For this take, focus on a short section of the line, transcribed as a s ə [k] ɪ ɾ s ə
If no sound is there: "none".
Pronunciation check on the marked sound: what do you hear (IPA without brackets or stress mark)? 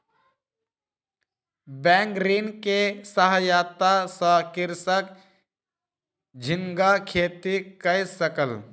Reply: k